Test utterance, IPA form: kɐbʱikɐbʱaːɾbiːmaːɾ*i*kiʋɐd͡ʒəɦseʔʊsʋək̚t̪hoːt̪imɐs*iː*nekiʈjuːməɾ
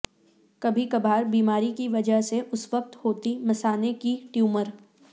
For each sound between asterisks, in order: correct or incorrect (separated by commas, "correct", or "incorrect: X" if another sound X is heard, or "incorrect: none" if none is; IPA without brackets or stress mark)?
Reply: correct, incorrect: aː